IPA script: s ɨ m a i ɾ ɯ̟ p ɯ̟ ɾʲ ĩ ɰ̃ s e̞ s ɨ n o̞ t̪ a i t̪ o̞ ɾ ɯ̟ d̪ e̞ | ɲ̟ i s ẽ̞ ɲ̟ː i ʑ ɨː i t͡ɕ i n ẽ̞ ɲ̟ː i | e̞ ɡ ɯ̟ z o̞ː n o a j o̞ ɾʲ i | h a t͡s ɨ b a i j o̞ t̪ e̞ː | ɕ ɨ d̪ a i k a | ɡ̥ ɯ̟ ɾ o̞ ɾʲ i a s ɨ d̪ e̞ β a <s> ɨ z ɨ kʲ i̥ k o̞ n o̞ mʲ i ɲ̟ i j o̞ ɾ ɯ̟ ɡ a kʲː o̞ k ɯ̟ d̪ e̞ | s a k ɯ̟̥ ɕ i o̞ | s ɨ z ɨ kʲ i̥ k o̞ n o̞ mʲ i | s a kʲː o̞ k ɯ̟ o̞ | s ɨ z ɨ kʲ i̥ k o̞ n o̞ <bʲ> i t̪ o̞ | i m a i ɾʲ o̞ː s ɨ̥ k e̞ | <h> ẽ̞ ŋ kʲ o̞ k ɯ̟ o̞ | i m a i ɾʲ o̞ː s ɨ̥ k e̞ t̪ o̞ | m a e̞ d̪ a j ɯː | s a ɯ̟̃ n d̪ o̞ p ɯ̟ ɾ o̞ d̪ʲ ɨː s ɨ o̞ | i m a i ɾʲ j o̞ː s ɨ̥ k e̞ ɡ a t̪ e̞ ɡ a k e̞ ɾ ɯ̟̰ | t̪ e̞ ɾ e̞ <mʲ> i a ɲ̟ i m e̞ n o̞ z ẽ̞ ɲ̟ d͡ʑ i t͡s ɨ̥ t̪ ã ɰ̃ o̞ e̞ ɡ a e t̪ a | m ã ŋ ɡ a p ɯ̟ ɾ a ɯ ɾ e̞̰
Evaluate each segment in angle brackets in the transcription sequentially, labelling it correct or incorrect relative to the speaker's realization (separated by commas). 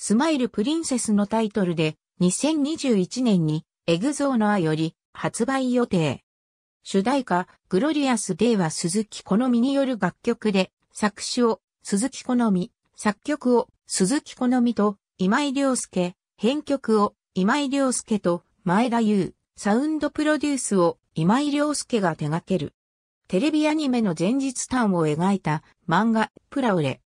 correct, incorrect, correct, incorrect